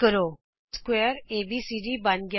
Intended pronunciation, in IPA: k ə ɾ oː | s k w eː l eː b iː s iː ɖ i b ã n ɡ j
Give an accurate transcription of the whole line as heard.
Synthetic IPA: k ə ɾ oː | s k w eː ɾ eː b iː s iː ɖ i b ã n ɡ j